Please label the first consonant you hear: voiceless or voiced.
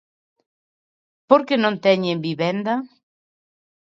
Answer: voiceless